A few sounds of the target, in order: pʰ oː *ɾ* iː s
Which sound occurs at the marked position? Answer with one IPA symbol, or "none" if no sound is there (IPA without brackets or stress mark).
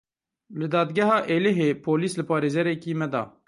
l